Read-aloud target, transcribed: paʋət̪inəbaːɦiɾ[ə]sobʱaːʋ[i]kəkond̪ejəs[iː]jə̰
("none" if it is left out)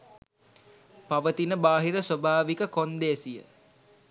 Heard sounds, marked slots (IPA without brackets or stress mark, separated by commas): ə, i, i